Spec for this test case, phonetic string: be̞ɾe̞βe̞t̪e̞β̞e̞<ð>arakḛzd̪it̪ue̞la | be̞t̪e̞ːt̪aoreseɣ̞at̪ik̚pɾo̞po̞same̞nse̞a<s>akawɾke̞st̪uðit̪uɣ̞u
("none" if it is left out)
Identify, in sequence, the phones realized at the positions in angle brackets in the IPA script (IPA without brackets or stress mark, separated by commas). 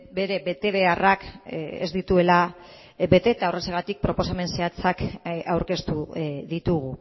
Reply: none, t͡s